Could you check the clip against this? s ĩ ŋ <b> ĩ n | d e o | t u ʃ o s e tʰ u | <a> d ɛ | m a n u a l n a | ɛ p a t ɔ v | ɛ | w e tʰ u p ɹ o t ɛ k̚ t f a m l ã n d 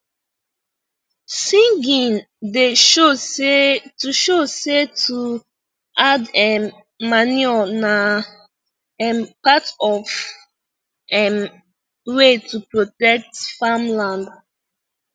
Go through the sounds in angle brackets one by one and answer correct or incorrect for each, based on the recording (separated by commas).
incorrect, correct